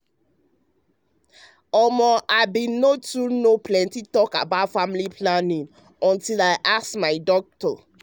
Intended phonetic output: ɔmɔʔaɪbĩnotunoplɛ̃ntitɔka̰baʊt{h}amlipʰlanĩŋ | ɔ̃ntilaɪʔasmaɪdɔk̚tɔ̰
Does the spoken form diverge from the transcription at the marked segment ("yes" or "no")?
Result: yes